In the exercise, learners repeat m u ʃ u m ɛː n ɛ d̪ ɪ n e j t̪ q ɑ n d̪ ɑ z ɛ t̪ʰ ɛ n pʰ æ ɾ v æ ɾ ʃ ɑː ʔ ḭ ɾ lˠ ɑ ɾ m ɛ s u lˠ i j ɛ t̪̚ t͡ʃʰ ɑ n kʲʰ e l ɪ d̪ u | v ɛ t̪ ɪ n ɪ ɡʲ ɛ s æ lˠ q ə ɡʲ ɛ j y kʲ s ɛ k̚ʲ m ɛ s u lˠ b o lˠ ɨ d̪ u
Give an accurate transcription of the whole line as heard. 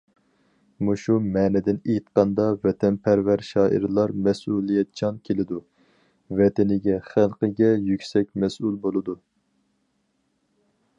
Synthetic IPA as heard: m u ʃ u m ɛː n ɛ d̪ ɪ n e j t̪ q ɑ n d̪ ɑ v ɛ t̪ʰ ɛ n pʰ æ ɾ v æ ɾ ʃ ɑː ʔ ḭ ɾ lˠ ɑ ɾ m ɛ s u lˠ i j ɛ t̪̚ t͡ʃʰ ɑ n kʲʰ e l ɪ d̪ u | v ɛ t̪ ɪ n ɪ ɡʲ ɛ χ æ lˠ q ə ɡʲ ɛ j y kʲ s ɛ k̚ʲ m ɛ s u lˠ b o lˠ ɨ d̪ u